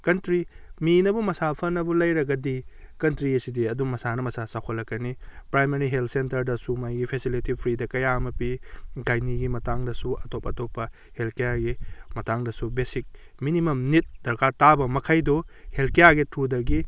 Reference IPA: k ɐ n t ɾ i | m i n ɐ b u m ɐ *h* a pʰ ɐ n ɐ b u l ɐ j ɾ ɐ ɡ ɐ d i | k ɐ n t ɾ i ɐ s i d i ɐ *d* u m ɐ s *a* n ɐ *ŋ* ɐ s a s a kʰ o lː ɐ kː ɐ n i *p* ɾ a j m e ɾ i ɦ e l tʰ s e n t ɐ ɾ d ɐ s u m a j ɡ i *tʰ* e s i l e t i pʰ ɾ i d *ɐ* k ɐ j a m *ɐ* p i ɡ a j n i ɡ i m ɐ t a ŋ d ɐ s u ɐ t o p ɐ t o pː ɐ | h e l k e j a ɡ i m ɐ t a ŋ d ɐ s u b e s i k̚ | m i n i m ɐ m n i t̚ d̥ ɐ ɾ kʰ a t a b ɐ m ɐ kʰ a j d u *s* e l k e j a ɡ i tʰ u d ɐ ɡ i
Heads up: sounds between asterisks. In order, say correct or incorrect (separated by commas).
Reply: incorrect, correct, correct, incorrect, correct, incorrect, correct, correct, incorrect